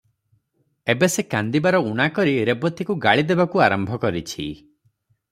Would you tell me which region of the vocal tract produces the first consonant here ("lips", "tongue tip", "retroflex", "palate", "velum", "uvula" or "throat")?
lips